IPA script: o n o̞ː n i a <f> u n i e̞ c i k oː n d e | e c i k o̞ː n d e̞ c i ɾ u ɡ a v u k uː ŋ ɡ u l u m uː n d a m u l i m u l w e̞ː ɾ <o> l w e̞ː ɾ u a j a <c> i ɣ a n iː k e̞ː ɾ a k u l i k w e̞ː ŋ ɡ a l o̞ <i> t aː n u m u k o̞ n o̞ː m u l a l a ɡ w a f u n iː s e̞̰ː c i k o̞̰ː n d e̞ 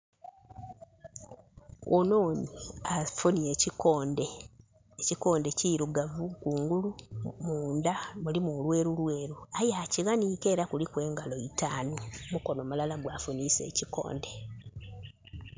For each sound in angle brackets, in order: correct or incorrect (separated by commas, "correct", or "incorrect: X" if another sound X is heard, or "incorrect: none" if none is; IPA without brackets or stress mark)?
correct, incorrect: u, correct, correct